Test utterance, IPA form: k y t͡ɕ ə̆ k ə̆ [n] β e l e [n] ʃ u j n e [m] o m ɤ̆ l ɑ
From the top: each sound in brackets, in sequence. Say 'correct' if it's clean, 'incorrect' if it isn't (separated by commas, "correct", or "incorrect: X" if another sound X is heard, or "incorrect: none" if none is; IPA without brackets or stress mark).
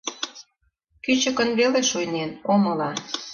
correct, incorrect: none, incorrect: n